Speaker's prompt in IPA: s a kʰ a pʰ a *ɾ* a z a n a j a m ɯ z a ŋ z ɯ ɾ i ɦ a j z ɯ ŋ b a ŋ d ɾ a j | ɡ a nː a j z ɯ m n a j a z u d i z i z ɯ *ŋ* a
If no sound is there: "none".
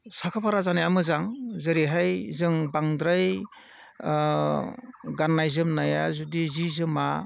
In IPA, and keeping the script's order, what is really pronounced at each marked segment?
ɾ, m

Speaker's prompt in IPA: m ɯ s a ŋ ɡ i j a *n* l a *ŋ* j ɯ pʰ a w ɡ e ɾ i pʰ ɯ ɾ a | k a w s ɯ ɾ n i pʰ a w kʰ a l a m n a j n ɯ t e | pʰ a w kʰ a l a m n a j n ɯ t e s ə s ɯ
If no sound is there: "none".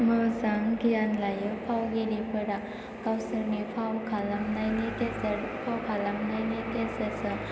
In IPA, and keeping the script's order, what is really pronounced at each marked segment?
n, none

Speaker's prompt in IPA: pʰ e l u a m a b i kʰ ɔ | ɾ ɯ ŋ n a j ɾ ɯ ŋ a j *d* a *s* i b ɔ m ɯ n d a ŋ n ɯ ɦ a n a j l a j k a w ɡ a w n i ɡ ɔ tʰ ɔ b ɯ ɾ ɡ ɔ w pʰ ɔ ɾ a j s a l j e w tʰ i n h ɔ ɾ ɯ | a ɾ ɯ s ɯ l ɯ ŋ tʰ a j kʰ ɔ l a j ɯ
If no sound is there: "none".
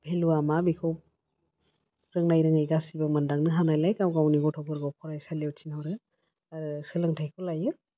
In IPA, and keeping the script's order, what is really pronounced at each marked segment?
ɡ, s

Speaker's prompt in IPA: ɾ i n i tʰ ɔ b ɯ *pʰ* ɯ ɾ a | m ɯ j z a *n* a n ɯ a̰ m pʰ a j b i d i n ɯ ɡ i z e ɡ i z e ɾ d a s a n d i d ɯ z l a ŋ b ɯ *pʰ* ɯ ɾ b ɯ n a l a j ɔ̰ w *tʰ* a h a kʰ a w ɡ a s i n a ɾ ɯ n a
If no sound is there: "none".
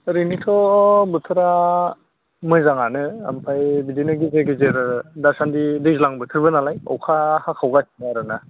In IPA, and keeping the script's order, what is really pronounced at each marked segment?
tʰ, ŋ, tʰ, kʰ

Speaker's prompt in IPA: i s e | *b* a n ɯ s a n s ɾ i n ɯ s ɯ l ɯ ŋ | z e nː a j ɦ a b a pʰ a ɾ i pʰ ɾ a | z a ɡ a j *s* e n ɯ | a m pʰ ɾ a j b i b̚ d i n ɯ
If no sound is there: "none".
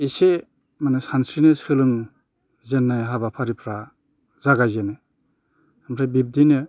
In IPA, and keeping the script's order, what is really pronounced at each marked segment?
m, z

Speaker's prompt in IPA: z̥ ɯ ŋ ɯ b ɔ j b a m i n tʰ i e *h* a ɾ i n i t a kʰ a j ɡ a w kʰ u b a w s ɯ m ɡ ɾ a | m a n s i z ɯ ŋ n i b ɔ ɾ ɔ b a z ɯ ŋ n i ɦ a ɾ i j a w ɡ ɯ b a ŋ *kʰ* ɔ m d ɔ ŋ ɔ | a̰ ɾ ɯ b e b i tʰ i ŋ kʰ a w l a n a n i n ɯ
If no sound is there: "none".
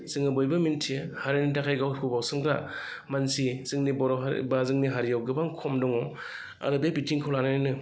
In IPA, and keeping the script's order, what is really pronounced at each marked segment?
h, kʰ

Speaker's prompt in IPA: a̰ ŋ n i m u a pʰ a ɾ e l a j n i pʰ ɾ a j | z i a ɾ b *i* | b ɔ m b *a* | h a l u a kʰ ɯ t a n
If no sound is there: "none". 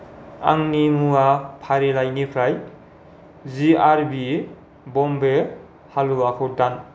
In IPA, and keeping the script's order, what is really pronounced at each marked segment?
i, e

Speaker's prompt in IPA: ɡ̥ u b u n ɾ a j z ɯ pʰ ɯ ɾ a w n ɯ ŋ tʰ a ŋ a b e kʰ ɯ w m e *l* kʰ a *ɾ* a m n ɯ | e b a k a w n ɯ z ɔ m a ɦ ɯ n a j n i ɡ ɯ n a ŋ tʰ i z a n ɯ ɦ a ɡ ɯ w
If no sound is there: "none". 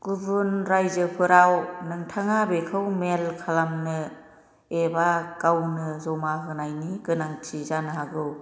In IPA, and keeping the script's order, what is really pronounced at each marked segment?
l, l

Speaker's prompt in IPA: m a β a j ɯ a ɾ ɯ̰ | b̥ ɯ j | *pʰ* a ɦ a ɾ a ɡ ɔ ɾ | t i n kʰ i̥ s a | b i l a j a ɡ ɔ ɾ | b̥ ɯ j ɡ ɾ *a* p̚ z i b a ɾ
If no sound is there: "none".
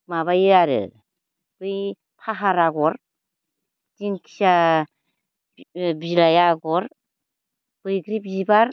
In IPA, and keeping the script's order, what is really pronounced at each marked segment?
pʰ, i

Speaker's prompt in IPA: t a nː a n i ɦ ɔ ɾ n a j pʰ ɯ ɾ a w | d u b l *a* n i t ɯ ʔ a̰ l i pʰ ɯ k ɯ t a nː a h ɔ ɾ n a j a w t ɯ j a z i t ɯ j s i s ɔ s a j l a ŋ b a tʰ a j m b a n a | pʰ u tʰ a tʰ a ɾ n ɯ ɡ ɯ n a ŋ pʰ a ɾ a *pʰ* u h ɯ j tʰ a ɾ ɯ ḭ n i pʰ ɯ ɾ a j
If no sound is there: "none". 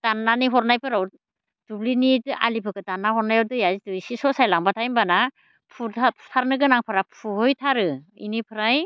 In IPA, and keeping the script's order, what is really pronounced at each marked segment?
i, pʰ

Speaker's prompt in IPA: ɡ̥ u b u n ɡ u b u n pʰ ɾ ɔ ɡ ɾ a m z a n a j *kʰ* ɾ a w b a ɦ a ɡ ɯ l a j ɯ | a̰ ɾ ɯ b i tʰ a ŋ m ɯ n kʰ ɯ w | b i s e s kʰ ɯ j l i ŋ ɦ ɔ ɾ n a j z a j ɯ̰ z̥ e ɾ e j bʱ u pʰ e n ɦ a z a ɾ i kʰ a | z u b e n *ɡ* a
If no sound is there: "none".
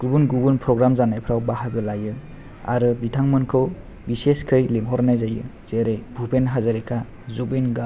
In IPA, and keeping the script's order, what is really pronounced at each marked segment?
pʰ, ɡ

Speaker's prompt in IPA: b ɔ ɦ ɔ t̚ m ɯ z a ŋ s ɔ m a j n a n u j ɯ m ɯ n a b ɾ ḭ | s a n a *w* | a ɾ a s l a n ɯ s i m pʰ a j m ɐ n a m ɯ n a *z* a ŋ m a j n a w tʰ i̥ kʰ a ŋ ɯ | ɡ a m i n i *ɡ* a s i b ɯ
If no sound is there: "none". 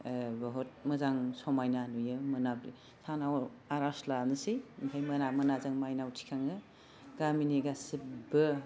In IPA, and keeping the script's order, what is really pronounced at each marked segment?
w, z, ɡ

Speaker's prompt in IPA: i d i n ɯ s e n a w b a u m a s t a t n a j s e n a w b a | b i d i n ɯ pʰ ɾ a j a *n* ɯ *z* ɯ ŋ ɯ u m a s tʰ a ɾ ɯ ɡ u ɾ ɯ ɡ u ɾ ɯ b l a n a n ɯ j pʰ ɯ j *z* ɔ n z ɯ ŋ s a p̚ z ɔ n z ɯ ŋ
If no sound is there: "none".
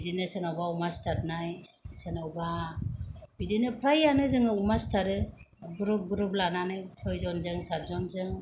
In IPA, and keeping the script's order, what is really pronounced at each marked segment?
n, z, z

